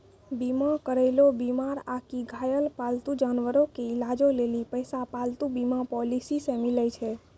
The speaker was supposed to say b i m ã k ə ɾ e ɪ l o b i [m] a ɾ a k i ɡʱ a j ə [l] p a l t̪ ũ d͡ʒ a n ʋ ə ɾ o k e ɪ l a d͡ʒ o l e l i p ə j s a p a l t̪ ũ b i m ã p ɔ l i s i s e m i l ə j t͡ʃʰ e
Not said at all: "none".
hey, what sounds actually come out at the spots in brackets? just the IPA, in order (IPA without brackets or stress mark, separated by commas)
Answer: m, l